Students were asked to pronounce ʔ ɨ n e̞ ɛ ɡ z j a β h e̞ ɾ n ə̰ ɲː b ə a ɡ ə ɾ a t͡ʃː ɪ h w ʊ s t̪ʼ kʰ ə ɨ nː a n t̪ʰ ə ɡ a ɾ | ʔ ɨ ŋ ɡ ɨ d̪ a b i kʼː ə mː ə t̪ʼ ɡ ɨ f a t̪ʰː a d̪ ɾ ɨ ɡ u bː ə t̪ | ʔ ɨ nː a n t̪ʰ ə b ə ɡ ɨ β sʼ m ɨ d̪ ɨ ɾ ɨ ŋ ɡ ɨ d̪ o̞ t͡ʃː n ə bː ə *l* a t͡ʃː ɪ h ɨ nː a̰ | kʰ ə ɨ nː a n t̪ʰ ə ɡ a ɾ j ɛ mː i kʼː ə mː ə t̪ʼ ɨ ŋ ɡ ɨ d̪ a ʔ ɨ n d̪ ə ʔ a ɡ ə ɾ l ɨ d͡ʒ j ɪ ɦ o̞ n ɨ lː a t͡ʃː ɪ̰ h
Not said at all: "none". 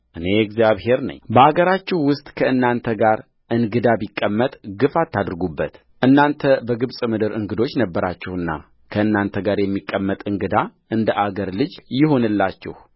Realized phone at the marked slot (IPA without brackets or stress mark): ɾ